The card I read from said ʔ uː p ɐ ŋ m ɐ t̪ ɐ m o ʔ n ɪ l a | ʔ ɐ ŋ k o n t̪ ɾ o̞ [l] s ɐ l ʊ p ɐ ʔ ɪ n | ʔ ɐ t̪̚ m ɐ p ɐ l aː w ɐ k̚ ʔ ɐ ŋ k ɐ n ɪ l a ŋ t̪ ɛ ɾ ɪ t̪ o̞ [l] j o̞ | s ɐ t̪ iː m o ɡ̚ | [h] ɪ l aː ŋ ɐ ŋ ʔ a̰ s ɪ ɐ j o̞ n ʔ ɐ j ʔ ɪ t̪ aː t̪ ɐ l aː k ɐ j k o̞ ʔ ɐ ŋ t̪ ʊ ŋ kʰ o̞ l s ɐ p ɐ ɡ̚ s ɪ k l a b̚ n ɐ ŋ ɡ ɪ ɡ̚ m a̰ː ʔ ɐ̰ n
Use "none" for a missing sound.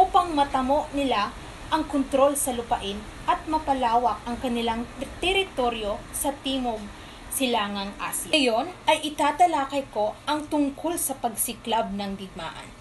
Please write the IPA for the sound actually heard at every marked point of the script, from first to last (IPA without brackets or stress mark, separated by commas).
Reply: l, ɾ, s